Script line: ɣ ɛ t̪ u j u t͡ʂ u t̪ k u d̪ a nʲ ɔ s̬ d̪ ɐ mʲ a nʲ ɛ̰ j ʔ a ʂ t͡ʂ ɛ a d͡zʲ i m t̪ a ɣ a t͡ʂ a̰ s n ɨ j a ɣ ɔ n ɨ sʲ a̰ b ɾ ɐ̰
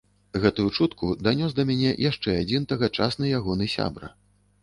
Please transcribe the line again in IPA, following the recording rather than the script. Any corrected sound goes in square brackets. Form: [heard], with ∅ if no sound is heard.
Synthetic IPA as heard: ɣ ɛ t̪ u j u t͡ʂ u t̪ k u d̪ a nʲ ɔ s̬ d̪ ɐ mʲ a nʲ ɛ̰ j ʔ a ʂ t͡ʂ ɛ a d͡zʲ i [n] t̪ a ɣ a t͡ʂ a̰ s n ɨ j a ɣ ɔ n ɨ sʲ a̰ b ɾ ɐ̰